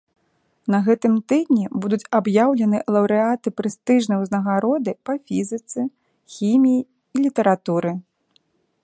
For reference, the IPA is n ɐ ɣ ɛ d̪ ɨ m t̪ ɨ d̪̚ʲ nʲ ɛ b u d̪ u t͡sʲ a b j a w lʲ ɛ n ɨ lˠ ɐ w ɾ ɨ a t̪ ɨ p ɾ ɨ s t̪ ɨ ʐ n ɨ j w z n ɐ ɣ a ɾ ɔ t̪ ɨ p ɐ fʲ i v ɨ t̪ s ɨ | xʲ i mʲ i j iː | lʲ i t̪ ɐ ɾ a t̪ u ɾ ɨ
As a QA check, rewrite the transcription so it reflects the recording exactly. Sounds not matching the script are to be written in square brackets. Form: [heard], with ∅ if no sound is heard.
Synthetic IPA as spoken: n ɐ ɣ ɛ [t̪] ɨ m t̪ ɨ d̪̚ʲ nʲ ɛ b u d̪ u t͡sʲ a b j a w lʲ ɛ n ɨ lˠ ɐ w ɾ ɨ a t̪ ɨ p ɾ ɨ s t̪ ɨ ʐ n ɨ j w z n ɐ ɣ a ɾ ɔ [d̪] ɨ p ɐ fʲ i [z] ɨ t̪ s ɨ | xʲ i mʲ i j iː | lʲ i t̪ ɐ ɾ a t̪ u ɾ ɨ